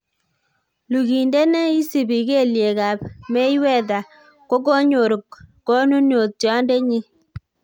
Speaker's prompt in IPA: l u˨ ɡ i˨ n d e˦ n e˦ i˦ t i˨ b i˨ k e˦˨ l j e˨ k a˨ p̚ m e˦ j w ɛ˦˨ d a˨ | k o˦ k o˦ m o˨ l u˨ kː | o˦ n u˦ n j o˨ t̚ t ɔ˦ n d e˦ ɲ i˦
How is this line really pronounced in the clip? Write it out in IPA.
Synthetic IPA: l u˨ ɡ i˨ n d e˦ n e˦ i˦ s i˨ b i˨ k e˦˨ l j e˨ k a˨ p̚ m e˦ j w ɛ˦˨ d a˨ | k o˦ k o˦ ɲ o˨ ɾ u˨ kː | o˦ n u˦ n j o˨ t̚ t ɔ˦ n d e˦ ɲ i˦